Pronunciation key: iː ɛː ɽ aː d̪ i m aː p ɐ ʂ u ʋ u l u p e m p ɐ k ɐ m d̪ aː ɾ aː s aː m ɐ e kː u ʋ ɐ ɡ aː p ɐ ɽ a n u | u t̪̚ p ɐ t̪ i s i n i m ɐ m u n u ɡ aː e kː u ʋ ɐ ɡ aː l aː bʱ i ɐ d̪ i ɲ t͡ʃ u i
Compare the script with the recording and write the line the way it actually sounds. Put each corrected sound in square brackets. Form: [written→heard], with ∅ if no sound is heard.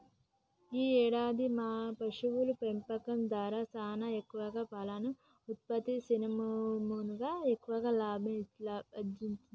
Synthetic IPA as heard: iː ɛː ɽ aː d̪ i m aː p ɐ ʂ u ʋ u l u p e m p ɐ k ɐ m d̪ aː ɾ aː s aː [m→n] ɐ e kː u ʋ ɐ ɡ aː p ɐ [ɽ→l] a n u | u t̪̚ p ɐ t̪ i s i n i m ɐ m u n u ɡ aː e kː u ʋ ɐ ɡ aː l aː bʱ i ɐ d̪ i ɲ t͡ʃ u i